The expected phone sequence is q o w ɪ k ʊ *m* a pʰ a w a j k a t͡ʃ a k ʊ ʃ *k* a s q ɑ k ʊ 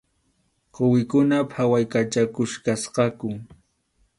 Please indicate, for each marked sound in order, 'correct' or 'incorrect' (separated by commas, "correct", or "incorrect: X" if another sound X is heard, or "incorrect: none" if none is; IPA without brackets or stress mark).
incorrect: n, correct